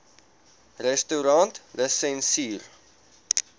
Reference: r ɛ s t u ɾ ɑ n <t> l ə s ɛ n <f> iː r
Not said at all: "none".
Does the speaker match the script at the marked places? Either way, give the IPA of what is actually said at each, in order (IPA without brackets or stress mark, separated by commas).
t, s